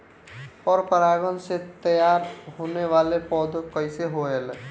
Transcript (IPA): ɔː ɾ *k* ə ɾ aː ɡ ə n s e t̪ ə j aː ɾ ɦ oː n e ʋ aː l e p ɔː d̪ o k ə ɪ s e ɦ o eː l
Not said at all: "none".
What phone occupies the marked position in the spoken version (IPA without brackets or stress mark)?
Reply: p